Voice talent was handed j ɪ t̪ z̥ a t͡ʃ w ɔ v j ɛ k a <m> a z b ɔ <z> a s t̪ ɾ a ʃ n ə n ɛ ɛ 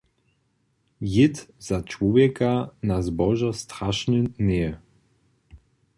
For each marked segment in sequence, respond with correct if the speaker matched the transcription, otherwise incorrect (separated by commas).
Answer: incorrect, incorrect